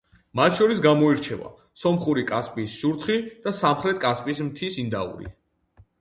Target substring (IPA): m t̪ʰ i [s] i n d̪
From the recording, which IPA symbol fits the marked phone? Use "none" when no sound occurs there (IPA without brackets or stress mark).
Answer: s